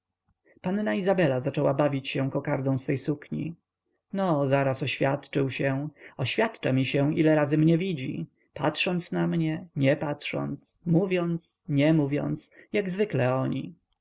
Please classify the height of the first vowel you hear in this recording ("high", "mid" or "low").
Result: low